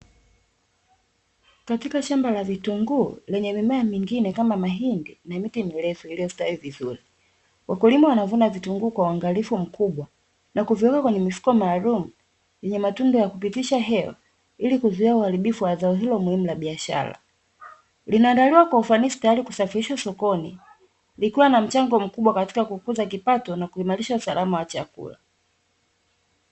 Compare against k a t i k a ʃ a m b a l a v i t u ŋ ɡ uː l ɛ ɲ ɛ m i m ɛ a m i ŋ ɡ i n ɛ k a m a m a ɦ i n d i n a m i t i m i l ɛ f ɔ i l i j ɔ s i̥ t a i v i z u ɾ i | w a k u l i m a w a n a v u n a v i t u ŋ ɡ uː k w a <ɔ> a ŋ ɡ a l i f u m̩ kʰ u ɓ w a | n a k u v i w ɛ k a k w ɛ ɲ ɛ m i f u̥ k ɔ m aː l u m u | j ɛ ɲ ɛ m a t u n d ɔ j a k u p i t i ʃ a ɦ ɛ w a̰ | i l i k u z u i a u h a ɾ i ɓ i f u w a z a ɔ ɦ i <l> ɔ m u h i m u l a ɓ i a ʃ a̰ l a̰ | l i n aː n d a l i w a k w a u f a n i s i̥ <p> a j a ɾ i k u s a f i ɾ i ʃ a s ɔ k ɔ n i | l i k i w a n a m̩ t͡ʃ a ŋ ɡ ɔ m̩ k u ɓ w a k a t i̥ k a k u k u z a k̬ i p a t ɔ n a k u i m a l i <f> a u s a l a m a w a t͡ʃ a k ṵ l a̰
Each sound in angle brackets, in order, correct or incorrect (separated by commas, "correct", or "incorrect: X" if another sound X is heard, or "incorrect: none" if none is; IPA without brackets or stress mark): incorrect: u, correct, incorrect: t, incorrect: ʃ